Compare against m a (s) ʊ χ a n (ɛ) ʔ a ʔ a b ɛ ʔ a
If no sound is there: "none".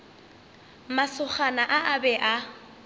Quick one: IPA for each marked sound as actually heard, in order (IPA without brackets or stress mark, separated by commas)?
s, a